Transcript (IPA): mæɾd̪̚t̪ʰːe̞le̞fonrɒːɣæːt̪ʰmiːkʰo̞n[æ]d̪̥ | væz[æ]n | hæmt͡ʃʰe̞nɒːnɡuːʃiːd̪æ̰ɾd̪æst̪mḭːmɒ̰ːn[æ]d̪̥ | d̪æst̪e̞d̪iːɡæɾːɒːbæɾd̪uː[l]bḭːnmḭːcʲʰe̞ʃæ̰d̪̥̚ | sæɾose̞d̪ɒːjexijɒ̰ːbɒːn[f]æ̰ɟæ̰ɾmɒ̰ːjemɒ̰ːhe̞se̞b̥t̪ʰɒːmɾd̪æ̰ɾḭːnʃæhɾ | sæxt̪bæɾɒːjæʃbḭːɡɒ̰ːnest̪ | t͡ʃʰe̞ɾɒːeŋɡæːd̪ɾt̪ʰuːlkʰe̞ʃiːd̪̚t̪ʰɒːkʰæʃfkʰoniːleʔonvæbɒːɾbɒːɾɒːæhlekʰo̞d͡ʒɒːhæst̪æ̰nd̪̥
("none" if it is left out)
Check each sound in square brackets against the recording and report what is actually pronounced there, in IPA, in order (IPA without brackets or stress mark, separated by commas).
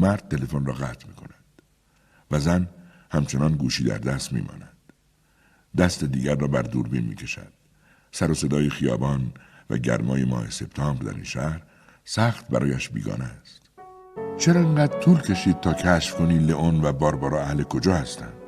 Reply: æ, æ, æ, ɾ, v